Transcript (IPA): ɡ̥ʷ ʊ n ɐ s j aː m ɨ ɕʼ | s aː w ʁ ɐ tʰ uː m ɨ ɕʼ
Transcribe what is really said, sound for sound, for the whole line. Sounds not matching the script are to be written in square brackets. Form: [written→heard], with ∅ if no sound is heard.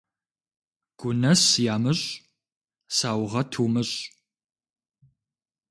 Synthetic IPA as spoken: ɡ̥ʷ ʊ n ɐ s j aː m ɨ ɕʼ | s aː w ʁ ɐ tʰ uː m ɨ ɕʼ